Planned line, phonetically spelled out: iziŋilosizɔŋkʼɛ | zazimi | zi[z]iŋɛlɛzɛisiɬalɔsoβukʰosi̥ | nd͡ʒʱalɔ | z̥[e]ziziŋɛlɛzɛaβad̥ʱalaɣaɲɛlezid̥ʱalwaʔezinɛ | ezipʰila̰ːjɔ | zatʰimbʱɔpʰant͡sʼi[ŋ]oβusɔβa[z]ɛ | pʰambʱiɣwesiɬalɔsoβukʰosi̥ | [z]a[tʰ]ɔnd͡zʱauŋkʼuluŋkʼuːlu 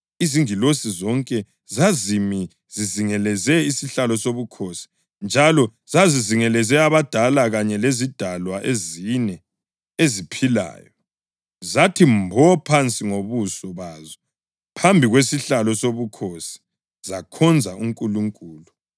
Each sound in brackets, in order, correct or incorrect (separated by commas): correct, incorrect, correct, correct, correct, incorrect